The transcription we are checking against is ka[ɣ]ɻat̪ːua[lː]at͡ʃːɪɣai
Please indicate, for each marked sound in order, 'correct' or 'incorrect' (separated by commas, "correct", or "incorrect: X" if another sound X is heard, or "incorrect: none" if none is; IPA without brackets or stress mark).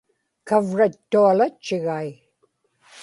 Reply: incorrect: v, incorrect: l